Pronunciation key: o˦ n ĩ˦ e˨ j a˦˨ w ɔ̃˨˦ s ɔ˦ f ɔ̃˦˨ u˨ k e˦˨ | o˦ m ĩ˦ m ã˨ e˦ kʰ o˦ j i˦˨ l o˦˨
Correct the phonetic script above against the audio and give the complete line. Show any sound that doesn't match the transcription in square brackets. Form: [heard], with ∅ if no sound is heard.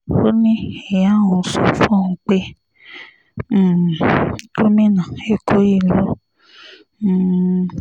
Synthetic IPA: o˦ n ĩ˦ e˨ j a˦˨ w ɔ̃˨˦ s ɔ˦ f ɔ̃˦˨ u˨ [k͡p] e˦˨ | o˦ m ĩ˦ [n] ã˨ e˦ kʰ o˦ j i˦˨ l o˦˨